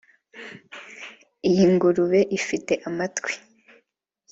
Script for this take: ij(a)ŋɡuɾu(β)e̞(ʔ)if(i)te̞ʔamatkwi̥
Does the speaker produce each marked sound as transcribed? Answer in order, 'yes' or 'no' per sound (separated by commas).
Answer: no, yes, yes, yes